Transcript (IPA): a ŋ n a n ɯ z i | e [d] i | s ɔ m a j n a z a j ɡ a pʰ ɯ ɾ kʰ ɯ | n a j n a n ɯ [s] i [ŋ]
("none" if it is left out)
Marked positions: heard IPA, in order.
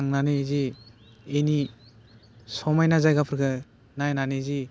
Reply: n, z, none

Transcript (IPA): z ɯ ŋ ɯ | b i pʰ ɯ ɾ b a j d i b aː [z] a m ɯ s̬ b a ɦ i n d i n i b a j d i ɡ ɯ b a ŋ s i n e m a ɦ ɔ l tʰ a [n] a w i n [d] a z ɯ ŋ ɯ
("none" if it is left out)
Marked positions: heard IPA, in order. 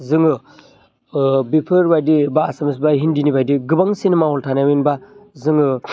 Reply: s, n, b

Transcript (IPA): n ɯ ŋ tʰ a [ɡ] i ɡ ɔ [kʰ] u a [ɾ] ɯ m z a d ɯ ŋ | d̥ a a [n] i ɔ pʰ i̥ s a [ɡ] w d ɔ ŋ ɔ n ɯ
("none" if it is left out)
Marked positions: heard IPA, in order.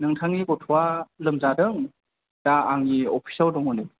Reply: ŋ, tʰ, l, ŋ, none

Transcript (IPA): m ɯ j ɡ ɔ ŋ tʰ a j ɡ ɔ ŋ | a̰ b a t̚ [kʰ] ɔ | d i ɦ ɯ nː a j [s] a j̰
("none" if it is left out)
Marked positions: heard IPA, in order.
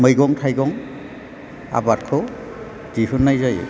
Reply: kʰ, z

